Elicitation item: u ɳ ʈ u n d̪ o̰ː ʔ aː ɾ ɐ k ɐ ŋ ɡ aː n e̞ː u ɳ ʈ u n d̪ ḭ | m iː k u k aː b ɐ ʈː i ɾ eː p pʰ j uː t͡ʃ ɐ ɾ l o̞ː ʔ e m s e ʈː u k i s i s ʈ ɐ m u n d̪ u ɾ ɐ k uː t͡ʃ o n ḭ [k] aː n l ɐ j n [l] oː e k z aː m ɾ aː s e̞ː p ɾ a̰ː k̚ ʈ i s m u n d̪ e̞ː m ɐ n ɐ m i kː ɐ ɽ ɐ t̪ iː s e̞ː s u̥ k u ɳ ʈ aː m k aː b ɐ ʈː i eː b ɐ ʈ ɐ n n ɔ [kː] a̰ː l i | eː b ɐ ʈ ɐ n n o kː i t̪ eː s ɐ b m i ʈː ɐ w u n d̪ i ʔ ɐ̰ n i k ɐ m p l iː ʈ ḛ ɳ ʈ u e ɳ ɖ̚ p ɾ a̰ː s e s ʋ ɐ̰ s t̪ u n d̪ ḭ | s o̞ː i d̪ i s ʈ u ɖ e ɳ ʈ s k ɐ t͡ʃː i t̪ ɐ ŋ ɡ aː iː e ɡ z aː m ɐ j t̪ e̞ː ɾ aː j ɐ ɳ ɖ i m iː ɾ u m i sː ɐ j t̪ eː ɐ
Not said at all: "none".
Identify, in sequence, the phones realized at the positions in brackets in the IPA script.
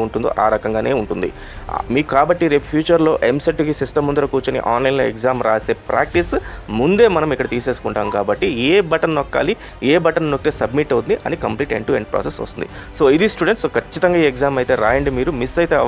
ʔ, l, kː

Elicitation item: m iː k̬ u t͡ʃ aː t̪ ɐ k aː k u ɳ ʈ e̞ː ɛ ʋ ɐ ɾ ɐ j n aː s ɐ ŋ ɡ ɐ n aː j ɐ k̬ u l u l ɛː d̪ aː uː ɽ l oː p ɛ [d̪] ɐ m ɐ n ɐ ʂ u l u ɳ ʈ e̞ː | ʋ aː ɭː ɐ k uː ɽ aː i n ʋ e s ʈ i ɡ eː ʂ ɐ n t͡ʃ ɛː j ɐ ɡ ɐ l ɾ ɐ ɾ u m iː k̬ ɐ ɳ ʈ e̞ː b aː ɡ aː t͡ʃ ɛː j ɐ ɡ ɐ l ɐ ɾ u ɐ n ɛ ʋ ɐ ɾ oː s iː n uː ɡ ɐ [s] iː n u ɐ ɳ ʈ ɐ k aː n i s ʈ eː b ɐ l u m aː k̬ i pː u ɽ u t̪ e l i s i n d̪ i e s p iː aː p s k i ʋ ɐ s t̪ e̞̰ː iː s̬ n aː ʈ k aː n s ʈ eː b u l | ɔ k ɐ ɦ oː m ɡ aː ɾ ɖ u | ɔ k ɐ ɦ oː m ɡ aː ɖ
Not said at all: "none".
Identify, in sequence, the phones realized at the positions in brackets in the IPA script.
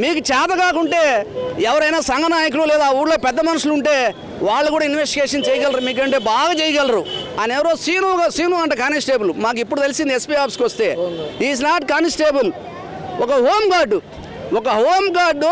d̪ː, s

